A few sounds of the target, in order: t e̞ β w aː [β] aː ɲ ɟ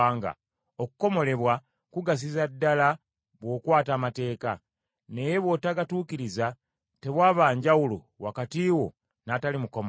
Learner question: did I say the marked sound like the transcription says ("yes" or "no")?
yes